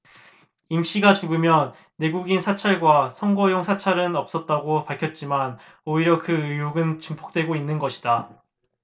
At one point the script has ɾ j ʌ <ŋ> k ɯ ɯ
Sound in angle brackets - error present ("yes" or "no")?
yes